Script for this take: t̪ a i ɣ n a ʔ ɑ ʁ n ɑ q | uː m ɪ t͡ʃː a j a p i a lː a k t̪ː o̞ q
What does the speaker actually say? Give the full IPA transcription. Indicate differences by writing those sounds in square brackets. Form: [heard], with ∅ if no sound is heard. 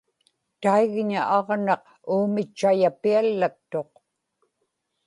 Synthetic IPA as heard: t̪ a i ɣ [ɲ] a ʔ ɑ ʁ n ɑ q | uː m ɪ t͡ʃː a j a p i a lː a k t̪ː o̞ q